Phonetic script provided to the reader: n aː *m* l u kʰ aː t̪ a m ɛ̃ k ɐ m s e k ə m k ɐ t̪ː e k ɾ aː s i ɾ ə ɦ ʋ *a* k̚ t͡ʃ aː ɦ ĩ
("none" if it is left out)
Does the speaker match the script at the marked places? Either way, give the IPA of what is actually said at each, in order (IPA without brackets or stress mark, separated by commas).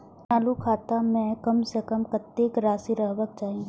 none, ə